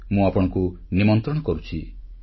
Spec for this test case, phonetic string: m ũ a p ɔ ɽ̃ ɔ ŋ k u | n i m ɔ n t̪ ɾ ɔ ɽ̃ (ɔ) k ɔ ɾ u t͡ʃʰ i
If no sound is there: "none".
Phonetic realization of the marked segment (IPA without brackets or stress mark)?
ɔ